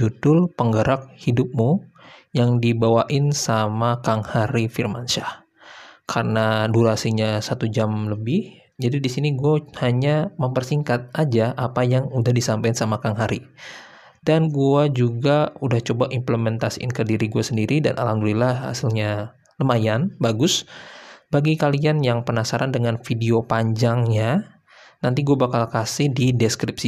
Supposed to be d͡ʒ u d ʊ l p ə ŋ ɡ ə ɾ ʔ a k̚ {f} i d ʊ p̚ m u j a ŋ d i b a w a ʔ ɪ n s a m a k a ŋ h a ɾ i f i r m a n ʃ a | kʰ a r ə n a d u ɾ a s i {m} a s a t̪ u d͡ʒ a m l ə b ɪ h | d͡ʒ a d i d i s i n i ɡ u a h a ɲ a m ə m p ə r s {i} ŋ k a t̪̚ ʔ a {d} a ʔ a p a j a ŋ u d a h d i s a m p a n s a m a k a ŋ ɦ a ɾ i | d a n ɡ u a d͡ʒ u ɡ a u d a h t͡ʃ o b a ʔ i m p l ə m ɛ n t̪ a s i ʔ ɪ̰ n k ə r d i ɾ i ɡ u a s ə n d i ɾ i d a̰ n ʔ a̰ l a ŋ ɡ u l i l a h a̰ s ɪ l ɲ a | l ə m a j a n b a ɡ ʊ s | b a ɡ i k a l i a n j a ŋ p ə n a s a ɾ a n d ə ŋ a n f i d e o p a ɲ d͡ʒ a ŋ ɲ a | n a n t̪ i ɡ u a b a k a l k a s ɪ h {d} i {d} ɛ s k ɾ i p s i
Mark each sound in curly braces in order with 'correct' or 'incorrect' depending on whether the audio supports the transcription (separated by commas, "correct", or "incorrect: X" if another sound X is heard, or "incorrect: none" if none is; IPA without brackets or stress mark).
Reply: incorrect: h, incorrect: ɲ, correct, incorrect: d͡ʒ, correct, correct